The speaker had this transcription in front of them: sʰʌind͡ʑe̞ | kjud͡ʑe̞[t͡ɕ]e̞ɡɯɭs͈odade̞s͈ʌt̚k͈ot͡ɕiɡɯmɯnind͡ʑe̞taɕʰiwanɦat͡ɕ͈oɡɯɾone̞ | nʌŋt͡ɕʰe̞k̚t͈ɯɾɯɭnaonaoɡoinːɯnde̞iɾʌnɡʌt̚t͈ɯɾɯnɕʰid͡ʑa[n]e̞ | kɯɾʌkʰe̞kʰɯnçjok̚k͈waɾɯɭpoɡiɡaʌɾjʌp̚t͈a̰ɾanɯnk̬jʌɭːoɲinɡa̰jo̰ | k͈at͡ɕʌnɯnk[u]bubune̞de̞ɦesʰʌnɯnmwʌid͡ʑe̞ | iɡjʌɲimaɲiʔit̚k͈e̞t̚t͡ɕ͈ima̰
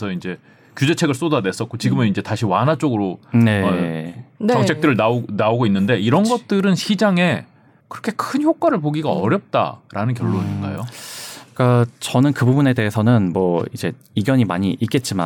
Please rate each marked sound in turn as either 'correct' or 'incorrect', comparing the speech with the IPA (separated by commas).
incorrect, incorrect, incorrect